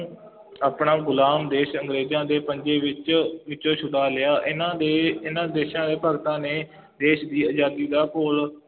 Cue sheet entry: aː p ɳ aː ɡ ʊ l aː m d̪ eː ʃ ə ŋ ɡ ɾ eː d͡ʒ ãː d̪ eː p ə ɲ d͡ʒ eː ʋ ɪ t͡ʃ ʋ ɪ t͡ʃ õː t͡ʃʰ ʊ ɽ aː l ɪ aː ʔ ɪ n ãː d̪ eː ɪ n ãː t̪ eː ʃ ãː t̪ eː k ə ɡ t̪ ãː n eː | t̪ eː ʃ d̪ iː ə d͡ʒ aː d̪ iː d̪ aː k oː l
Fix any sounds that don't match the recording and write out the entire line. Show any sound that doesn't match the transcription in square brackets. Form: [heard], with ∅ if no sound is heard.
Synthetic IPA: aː p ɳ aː ɡ ʊ l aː m d̪ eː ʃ ə ŋ ɡ ɾ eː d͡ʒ ãː d̪ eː p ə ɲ d͡ʒ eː ʋ ɪ t͡ʃ ʋ ɪ t͡ʃ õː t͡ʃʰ ʊ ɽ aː l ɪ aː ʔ ɪ n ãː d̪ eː ɪ n ãː [d̪] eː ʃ ãː [d̪] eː [p] ə ɡ t̪ ãː n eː | [d̪] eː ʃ d̪ iː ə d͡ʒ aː d̪ iː d̪ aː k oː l